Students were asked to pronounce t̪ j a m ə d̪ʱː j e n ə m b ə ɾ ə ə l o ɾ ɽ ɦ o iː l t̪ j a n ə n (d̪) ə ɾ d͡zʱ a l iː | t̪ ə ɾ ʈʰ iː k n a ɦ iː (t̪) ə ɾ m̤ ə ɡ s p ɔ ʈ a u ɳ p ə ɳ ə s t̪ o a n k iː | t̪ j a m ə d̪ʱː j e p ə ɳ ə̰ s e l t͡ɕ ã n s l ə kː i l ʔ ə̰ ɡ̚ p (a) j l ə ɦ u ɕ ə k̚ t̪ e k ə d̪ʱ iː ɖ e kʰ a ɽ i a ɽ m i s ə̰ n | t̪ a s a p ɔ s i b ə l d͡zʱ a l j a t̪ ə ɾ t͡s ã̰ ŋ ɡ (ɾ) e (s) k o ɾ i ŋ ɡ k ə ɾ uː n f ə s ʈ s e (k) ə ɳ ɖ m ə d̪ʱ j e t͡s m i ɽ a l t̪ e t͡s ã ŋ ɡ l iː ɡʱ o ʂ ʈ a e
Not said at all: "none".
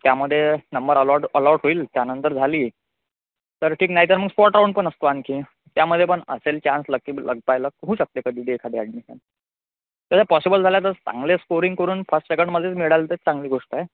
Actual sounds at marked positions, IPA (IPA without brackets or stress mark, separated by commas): t̪, t̪, a, l, s, k